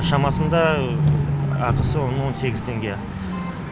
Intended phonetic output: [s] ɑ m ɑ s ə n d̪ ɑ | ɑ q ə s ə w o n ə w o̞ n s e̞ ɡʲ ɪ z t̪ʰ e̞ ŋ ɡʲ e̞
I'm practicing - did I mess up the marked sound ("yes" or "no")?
yes